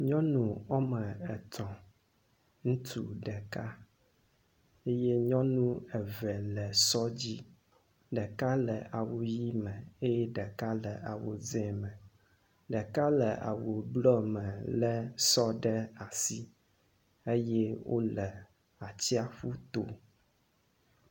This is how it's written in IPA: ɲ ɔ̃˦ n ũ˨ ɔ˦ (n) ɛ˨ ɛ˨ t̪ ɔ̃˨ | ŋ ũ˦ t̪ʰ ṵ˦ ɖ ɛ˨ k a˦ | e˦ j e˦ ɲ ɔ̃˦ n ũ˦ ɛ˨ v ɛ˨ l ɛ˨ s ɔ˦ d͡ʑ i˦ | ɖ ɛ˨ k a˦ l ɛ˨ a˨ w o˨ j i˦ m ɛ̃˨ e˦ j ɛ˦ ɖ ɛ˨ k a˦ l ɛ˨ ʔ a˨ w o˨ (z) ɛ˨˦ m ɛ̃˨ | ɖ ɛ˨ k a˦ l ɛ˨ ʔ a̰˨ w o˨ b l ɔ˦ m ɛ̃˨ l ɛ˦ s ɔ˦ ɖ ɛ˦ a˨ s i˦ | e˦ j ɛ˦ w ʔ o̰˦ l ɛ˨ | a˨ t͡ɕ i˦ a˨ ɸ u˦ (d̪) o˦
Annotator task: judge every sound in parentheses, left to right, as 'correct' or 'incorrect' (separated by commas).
incorrect, correct, incorrect